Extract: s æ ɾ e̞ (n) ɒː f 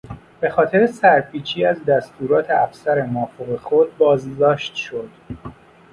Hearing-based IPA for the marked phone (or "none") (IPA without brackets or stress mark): m